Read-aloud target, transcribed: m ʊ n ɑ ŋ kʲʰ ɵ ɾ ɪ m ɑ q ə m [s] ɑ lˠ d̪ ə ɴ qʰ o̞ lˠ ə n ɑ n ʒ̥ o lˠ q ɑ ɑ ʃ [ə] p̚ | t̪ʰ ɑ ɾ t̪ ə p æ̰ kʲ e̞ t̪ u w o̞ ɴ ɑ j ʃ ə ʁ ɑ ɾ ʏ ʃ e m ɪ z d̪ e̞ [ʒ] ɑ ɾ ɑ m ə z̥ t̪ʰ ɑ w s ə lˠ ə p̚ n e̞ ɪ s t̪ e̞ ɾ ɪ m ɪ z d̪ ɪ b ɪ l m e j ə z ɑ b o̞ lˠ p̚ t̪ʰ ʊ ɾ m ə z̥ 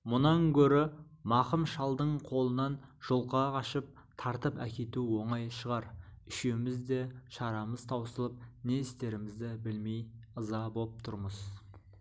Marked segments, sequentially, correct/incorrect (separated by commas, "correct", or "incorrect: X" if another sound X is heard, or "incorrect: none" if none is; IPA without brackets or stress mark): incorrect: ʃ, correct, incorrect: ʃ